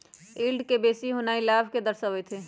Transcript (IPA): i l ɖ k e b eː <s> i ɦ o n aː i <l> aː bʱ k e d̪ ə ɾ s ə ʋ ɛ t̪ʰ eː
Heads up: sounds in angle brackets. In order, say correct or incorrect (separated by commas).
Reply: correct, correct